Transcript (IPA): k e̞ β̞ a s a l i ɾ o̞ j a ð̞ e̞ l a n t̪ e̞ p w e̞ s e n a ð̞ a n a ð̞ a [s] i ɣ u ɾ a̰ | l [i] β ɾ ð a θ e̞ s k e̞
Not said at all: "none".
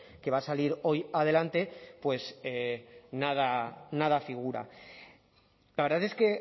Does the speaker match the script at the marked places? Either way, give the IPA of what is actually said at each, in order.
f, a

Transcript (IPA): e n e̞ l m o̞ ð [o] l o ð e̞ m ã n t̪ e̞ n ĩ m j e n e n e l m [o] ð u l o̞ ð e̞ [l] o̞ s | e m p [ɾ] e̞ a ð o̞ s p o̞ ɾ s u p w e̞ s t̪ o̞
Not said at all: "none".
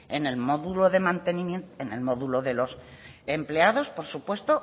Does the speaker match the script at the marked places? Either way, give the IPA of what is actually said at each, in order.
u, o, l, l

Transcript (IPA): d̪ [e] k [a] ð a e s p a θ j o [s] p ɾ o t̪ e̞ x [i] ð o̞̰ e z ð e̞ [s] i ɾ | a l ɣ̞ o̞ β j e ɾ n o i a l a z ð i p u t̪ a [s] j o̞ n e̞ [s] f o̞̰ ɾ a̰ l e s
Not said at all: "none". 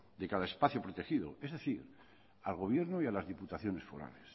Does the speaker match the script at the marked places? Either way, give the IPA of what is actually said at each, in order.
e, a, none, i, θ, θ, s

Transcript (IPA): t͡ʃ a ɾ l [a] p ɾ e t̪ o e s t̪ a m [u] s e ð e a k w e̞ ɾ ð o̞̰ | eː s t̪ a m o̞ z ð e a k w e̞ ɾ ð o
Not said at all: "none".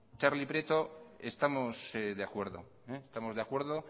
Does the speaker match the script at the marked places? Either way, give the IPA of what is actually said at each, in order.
i, o

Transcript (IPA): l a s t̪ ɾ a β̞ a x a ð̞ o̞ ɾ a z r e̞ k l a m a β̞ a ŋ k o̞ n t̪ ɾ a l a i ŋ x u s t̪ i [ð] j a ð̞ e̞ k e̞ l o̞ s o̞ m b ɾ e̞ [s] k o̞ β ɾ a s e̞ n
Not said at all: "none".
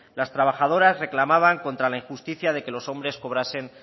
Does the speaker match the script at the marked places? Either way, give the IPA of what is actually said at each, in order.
θ, s

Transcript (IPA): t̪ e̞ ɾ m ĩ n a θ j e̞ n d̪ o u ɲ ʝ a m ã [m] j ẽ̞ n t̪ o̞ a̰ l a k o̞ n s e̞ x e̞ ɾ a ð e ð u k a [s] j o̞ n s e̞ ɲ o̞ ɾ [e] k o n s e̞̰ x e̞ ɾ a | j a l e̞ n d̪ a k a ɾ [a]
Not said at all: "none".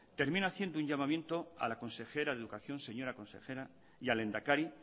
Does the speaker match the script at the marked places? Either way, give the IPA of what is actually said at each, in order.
m, θ, a, i

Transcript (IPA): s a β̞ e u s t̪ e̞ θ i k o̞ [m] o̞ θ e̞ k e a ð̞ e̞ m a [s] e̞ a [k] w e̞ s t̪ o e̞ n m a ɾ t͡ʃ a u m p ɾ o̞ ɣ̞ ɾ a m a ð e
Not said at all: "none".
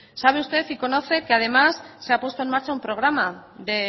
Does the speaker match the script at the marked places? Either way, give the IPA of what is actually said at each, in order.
n, sː, p

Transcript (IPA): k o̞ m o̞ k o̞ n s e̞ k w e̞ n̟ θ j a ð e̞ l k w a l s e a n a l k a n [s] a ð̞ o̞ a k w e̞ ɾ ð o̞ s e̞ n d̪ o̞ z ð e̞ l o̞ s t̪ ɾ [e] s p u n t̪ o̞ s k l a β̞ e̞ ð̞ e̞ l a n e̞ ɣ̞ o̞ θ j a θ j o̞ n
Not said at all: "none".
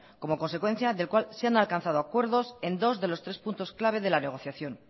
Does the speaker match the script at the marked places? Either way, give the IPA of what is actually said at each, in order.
θ, e

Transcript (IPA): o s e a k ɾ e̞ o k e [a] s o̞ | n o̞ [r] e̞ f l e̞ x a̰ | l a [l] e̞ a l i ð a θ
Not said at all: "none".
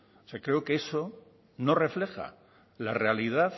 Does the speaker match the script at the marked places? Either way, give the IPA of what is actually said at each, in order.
e, r, r

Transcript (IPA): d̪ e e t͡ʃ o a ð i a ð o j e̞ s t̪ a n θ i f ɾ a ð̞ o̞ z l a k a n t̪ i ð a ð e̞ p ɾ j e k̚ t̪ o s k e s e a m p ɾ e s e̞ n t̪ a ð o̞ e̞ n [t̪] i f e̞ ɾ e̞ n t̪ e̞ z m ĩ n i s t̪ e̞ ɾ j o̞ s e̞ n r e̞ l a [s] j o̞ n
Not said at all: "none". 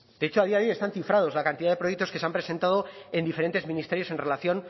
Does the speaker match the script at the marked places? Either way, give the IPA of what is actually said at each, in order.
d̪, θ

